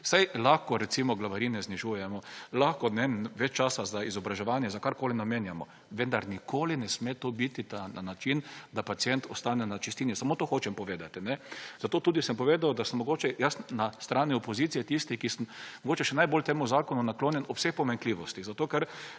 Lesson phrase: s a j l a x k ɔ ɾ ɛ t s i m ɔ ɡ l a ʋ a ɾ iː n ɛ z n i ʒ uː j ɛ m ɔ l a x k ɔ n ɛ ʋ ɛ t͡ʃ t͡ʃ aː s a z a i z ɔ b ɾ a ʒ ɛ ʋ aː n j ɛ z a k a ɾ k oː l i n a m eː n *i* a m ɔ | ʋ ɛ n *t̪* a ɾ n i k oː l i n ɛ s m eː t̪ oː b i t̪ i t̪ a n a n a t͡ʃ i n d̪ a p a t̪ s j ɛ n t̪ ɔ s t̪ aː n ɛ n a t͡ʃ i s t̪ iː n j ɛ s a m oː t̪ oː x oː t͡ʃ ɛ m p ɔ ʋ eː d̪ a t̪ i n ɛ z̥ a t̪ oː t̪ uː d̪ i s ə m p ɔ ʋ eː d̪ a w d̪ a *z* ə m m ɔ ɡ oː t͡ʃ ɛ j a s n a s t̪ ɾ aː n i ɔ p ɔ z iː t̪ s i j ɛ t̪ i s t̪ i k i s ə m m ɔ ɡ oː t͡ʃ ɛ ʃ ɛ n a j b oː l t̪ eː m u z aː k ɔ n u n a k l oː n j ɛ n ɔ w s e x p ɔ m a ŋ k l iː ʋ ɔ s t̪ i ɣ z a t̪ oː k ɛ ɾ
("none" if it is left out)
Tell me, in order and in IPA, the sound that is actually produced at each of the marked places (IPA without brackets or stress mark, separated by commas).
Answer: j, d̪, s